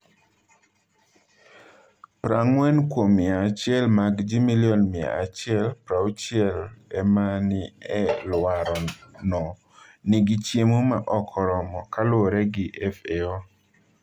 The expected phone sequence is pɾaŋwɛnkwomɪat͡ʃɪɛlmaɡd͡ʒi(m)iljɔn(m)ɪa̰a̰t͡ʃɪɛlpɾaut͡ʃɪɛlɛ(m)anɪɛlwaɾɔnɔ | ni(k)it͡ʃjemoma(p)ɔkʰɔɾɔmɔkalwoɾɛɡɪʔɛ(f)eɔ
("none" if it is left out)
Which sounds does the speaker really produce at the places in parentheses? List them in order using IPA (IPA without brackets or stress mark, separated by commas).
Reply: m, m, m, ɡ, ʔ, f